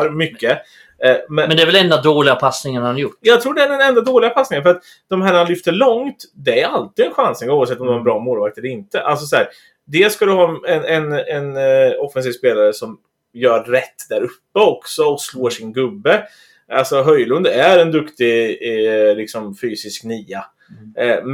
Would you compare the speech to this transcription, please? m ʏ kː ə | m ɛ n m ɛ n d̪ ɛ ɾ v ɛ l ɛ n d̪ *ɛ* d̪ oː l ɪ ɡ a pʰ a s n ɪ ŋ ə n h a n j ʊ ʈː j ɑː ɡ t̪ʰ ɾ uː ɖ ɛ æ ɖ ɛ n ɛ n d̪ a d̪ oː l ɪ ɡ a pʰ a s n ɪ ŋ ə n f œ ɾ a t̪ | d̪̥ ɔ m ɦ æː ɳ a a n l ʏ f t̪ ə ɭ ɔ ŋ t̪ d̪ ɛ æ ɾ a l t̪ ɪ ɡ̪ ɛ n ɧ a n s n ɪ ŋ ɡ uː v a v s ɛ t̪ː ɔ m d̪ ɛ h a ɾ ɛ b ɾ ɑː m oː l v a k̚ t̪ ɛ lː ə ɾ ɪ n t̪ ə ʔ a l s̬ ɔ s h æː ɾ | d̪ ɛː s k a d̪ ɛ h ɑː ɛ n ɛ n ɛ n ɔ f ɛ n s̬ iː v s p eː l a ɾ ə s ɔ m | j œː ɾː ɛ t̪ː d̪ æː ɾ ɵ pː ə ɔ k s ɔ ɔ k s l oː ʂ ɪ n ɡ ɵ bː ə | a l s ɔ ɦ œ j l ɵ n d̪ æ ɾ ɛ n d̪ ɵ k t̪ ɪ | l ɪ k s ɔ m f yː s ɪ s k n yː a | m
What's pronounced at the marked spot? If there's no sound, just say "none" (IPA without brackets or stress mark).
a